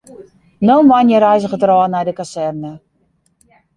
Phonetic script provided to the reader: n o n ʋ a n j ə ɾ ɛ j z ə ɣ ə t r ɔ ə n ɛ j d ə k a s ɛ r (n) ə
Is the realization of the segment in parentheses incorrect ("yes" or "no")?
no